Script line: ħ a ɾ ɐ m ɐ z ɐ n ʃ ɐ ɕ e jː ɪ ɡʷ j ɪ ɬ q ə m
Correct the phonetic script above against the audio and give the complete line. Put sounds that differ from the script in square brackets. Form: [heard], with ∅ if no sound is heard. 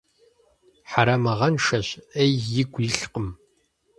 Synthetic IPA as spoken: ħ a ɾ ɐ m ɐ [ʁ] ɐ n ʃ ɐ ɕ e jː ɪ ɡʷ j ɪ ɬ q ə m